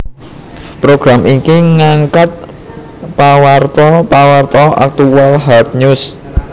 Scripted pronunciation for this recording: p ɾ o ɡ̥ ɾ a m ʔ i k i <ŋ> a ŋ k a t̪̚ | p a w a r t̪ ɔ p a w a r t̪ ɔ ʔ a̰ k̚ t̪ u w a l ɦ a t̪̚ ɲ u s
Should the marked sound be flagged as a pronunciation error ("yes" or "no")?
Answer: no